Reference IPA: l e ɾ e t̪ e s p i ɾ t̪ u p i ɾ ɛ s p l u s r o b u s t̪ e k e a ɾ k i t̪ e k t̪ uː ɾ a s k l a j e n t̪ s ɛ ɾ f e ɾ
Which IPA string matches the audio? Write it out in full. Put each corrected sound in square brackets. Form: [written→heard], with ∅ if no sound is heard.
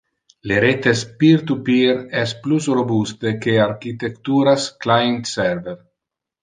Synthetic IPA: l e ɾ e t̪ e s p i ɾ t̪ u p i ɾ ɛ s p l u s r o b u s t̪ e k e a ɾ k i t̪ e k t̪ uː ɾ a s k l a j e n t̪ s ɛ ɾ [f→v] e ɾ